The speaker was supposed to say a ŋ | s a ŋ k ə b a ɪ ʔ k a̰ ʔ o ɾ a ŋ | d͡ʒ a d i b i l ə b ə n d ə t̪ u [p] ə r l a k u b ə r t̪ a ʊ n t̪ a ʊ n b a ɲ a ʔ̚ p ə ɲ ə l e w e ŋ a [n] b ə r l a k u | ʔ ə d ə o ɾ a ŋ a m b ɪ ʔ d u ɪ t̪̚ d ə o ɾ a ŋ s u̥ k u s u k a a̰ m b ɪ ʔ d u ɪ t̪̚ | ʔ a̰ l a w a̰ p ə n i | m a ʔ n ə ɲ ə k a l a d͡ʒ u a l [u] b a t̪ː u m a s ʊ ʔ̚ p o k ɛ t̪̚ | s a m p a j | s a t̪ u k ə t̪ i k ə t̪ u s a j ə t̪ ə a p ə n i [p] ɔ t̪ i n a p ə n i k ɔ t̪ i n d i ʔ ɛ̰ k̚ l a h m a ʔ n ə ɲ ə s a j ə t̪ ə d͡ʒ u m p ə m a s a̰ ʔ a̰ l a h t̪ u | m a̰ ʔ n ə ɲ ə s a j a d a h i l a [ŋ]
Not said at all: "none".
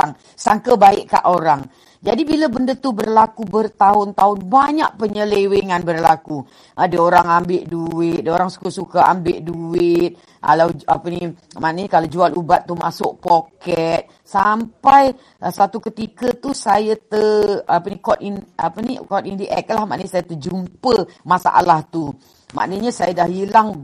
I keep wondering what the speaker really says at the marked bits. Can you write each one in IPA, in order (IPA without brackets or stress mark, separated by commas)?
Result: b, n, u, k, ŋ